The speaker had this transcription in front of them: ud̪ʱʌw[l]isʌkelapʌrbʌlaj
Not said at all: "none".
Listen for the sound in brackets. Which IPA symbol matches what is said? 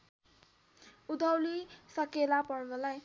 l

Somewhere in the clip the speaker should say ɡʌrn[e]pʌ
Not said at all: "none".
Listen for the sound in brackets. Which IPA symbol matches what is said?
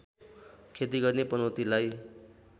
e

